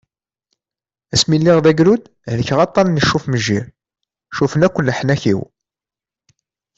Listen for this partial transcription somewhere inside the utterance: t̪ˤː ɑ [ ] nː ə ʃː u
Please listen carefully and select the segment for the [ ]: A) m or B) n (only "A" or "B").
B